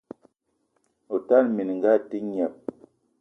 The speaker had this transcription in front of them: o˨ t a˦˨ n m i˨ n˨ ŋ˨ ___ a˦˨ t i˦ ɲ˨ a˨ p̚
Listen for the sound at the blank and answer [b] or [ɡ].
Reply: ɡ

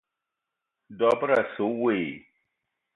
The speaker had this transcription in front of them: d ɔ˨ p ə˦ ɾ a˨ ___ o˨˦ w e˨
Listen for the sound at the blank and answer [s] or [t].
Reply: s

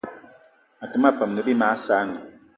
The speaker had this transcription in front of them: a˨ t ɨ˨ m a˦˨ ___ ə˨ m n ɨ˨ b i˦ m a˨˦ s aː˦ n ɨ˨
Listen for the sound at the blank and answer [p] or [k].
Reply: p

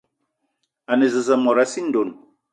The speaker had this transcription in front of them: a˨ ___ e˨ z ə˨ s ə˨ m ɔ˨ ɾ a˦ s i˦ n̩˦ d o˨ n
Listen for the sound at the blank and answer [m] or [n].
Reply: n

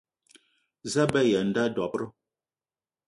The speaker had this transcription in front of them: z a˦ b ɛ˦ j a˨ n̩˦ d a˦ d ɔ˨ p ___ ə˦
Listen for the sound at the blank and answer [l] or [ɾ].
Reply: ɾ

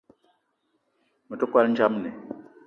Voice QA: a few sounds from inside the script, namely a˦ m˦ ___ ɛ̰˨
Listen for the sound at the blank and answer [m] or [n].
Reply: n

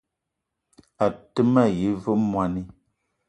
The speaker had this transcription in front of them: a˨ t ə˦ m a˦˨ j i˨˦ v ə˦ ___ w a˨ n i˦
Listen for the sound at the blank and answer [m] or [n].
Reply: m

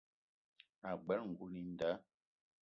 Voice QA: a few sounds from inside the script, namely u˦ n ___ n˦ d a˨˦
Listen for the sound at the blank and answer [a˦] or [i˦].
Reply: i˦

